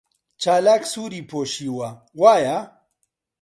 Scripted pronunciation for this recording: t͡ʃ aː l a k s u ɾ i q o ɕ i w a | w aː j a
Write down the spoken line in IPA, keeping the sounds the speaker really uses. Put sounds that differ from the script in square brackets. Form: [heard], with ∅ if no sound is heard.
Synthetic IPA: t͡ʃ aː l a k s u ɾ i [p] o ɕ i w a | w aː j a